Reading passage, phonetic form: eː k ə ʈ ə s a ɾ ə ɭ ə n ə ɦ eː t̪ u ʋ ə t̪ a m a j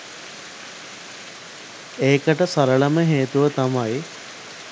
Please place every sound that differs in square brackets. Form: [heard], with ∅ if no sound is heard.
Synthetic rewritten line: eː k ə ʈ ə s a ɾ ə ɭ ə [m] ə ɦ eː t̪ u ʋ ə t̪ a m a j